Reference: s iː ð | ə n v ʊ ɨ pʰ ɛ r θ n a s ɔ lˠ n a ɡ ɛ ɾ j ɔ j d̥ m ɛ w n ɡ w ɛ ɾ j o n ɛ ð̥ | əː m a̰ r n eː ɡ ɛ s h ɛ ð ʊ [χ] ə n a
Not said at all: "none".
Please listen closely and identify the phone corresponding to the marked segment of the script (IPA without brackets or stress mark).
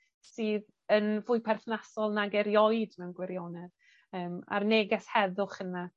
χ